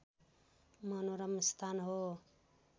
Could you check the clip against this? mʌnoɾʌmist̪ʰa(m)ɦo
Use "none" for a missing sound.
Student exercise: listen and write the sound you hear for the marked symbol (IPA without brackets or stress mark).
n